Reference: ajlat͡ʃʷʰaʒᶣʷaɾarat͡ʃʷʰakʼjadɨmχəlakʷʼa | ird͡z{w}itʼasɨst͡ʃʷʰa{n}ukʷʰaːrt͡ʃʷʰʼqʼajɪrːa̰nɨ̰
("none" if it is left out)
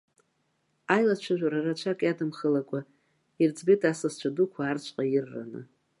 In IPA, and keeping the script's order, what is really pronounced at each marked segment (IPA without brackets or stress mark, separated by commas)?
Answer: b, d